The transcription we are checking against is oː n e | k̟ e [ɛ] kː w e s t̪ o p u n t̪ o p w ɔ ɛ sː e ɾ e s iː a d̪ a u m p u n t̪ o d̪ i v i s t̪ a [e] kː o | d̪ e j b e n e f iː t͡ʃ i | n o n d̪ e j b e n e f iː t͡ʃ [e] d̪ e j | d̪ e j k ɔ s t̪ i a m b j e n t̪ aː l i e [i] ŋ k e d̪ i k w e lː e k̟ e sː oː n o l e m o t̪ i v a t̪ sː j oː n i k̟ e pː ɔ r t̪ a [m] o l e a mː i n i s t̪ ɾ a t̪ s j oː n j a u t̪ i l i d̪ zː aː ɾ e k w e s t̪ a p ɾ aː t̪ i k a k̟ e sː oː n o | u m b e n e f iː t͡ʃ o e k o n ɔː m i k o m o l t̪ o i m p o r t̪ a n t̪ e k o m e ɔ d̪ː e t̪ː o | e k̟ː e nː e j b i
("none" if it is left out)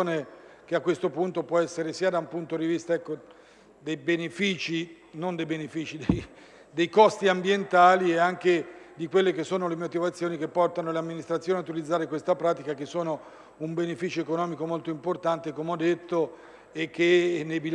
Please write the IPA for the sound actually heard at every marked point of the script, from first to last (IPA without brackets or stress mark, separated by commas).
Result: a, ɛ, i, a, n